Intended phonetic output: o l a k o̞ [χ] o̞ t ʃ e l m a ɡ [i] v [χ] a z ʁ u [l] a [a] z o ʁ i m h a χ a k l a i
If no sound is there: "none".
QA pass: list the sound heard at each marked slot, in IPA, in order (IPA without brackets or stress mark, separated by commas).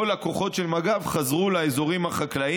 χ, a, χ, l, e